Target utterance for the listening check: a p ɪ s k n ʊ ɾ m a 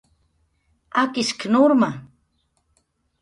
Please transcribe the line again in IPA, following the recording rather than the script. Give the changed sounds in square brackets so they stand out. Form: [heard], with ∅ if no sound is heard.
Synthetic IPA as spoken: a [k] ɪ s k n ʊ ɾ m a